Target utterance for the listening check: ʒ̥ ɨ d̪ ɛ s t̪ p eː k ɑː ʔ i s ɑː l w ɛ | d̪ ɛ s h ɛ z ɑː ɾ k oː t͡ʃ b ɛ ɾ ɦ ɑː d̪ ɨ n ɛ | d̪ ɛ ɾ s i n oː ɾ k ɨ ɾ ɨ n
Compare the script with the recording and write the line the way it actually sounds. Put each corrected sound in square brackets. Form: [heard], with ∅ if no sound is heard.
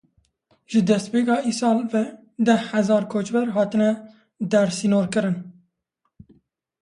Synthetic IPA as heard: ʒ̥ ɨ d̪ ɛ s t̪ p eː k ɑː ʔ i s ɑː l [v] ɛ | d̪ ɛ [h] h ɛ z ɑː ɾ [kʰ] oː t͡ʃ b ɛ ɾ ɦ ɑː [t̪] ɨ n ɛ | d̪ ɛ ɾ s i n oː ɾ k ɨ ɾ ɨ n